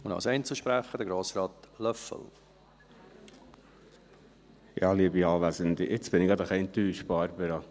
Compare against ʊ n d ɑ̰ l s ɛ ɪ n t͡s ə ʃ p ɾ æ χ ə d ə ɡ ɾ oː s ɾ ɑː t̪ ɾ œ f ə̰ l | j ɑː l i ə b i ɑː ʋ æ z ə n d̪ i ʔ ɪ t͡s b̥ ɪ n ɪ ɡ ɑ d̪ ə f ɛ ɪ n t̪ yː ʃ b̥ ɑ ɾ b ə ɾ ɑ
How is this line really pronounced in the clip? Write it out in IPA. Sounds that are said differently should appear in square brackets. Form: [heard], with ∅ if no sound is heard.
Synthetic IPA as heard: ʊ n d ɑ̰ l s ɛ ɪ n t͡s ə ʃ p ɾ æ χ ə d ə ɡ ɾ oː s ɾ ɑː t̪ [l] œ f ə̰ l | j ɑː l i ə b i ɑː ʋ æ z ə n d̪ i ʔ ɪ t͡s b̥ ɪ n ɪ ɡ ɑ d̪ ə [χ] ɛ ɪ n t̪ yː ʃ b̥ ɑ ɾ b ə ɾ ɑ